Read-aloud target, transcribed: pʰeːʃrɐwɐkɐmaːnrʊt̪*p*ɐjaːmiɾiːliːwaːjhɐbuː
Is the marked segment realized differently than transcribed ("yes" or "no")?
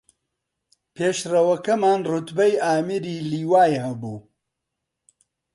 yes